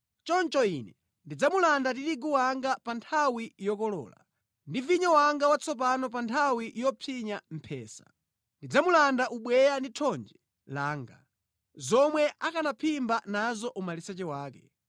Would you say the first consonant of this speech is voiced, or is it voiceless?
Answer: voiceless